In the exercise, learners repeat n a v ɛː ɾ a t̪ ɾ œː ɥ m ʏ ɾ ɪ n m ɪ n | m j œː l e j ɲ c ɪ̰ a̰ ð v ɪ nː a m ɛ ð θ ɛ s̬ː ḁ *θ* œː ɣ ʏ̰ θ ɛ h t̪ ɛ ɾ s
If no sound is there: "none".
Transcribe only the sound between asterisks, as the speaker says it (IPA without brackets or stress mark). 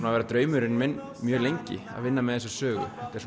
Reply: s